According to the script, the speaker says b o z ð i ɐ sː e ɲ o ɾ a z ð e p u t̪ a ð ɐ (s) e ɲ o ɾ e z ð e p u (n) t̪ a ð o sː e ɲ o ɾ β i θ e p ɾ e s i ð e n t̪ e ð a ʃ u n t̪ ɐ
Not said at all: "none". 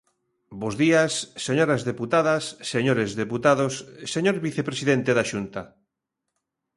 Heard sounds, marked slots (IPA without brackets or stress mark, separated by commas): sː, none